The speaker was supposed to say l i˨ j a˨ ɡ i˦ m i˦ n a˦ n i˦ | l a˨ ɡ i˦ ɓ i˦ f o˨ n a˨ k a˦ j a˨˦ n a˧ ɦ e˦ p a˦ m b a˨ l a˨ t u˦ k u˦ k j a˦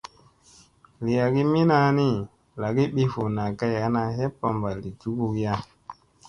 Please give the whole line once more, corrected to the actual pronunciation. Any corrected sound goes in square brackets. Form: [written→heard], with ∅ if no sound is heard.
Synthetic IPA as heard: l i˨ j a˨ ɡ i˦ m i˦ n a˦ n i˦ | l a˨ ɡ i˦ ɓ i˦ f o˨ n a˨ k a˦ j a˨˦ n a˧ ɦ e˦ p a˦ m b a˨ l [a˨→i˨] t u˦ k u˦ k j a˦